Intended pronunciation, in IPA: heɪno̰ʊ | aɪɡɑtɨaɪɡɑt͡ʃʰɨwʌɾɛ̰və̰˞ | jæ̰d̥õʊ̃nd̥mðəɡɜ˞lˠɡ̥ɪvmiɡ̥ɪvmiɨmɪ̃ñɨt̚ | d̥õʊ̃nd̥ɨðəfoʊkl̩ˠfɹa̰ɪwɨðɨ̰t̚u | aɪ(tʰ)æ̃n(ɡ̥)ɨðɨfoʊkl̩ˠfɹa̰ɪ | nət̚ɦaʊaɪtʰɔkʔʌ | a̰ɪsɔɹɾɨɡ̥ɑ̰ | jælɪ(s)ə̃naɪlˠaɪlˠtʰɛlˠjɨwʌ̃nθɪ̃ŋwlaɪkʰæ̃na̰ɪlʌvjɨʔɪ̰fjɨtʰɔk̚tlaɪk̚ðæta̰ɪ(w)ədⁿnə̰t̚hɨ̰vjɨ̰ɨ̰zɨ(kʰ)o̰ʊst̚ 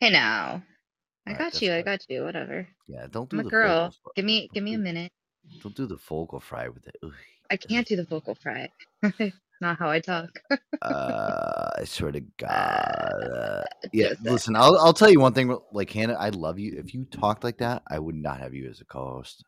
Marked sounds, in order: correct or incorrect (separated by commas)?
incorrect, incorrect, correct, correct, correct